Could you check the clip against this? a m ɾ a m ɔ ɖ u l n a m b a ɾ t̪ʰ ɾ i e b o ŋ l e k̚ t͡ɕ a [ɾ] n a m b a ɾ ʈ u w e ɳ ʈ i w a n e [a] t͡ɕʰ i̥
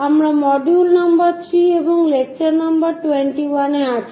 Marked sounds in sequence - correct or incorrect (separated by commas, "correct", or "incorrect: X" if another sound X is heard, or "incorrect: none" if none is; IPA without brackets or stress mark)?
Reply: correct, correct